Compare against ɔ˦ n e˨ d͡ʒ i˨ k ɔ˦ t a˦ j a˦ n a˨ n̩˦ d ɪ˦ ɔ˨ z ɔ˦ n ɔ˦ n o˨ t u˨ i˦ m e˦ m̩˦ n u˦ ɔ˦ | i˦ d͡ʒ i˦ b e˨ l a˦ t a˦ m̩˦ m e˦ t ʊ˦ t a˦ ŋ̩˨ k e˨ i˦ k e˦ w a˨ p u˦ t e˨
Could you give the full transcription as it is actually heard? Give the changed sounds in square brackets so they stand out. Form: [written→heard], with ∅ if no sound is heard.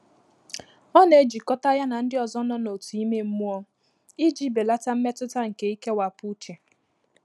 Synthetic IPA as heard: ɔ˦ n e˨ d͡ʒ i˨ k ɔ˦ t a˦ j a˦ n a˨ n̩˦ d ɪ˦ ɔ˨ z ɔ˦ n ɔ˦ n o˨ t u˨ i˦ m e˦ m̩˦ [n→m] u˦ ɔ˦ | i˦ d͡ʒ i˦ b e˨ l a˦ t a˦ m̩˦ m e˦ t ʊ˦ t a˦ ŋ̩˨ k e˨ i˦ k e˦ w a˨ p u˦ [t→t͡ʃ] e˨